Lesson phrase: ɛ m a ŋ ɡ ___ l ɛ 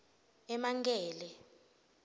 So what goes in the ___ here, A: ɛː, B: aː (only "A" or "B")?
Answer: A